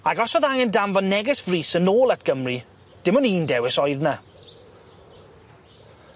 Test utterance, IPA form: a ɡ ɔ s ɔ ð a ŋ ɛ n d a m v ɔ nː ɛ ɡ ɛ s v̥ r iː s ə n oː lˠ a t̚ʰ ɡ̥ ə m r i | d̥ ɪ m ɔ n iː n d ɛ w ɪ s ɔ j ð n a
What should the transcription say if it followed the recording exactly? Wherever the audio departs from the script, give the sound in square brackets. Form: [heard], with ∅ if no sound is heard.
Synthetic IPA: a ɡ ɔ s ɔ ð a ŋ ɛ n d a m v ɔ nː ɛ ɡ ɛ s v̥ r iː s ə n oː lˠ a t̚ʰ ɡ̥ ə m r i | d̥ ɪ m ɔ n iː n d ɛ w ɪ s ɔ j ð n a